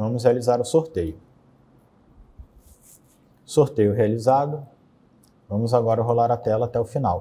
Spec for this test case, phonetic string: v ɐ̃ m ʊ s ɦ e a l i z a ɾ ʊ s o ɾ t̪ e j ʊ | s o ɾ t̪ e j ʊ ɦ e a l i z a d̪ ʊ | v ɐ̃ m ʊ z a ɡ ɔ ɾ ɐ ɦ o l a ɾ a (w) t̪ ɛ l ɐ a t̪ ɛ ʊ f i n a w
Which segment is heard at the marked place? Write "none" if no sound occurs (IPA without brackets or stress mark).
none